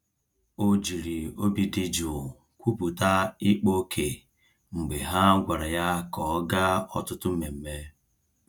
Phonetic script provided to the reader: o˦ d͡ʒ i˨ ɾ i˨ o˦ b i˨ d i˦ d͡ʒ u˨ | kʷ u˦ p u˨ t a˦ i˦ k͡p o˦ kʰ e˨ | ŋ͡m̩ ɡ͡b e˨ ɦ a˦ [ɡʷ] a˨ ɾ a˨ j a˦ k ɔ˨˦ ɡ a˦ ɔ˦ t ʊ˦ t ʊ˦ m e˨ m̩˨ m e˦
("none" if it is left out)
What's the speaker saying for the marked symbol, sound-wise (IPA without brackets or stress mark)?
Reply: ɡʷ